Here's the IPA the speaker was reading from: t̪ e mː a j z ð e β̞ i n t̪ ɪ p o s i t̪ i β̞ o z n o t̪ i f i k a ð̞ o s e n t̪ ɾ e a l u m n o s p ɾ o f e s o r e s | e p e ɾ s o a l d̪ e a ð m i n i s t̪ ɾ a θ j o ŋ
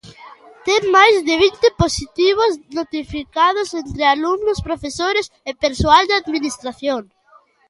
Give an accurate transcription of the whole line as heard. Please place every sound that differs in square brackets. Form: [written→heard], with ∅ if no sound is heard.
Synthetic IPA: t̪ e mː a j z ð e β̞ i n t̪ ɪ p o s i t̪ i β̞ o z n o t̪ i f i k a ð̞ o s e n t̪ ɾ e a l u m n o s p ɾ o f e s o [r→ɾ] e s | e p e ɾ s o a l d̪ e a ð m i n i s t̪ ɾ a θ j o ŋ